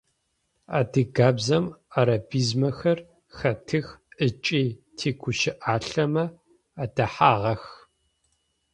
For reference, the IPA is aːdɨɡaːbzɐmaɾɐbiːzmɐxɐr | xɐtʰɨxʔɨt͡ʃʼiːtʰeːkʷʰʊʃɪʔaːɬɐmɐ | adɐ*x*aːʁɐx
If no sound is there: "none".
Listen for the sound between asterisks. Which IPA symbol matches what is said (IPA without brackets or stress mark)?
ħ